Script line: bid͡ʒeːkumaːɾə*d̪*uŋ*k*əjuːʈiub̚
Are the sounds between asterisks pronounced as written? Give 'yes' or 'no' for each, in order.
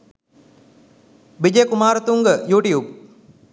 no, no

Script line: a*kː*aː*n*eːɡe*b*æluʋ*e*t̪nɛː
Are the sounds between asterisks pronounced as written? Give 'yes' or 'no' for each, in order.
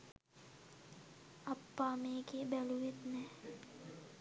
no, no, yes, yes

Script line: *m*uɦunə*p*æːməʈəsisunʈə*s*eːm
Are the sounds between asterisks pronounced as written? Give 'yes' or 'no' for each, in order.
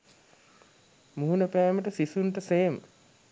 yes, yes, yes

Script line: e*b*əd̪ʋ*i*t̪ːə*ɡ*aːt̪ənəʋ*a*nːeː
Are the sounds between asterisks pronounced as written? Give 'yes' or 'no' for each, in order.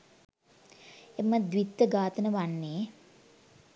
no, yes, yes, yes

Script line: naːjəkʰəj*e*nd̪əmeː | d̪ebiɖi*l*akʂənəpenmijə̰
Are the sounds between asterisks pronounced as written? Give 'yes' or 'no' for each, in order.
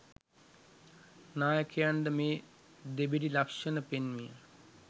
no, yes

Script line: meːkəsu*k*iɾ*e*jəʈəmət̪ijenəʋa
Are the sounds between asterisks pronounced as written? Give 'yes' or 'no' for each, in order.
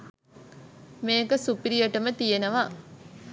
no, no

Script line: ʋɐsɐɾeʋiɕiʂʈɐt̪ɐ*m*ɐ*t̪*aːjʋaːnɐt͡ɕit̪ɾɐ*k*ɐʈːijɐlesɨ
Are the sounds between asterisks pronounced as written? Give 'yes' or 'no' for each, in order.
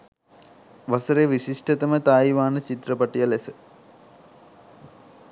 yes, yes, no

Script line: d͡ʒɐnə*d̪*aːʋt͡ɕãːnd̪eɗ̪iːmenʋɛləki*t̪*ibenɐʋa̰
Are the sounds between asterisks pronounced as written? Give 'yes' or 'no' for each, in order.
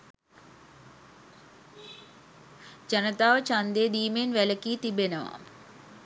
no, yes

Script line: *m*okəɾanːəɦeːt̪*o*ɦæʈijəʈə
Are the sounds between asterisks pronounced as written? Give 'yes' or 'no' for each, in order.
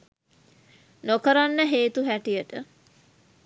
no, no

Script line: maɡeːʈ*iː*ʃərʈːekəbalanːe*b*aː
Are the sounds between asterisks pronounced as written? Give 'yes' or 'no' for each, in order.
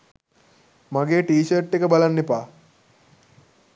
yes, no

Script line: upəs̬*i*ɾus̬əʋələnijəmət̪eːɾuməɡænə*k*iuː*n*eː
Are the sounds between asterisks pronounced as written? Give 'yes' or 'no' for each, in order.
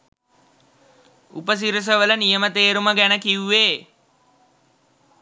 yes, yes, no

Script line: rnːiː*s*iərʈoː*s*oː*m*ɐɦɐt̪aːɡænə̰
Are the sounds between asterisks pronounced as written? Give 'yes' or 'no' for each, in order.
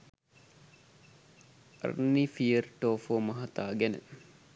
no, no, yes

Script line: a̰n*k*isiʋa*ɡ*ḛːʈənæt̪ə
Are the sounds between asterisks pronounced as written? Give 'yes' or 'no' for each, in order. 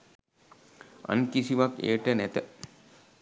yes, no

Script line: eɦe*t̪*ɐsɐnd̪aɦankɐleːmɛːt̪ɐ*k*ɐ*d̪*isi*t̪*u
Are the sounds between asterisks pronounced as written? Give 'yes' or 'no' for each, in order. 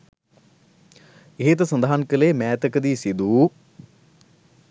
yes, yes, yes, no

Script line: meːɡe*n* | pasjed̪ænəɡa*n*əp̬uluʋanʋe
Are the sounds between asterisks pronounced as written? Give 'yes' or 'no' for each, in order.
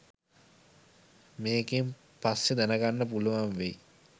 no, no

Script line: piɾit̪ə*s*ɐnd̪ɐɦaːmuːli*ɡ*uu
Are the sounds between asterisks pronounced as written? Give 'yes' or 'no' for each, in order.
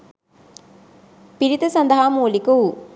yes, no

